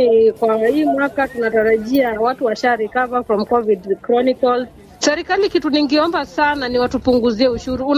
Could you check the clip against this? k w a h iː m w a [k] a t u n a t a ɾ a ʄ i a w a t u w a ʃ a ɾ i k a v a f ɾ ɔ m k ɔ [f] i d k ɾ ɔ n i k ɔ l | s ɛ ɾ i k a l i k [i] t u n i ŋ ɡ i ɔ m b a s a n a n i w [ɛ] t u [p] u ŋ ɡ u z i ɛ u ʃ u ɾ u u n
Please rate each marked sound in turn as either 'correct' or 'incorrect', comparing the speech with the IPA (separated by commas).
correct, incorrect, correct, incorrect, correct